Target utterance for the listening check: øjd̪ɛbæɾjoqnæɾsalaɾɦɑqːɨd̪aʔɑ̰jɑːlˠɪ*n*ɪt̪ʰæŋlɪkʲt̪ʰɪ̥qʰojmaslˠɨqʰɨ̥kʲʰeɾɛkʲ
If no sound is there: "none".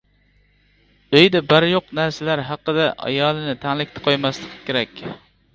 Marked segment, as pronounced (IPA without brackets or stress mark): n